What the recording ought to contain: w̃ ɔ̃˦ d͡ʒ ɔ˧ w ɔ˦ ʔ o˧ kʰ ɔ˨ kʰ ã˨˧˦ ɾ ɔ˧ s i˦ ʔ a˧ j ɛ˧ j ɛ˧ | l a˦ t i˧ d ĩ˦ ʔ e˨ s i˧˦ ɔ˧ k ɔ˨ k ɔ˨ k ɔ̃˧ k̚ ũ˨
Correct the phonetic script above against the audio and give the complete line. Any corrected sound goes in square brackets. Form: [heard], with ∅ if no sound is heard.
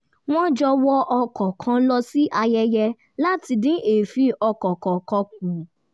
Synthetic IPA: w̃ ɔ̃˦ d͡ʒ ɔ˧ w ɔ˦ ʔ [ɔ˧] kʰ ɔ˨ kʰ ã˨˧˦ [l] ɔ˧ s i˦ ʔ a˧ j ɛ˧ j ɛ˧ | l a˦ t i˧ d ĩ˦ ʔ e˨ [f] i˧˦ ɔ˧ k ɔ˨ k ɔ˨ k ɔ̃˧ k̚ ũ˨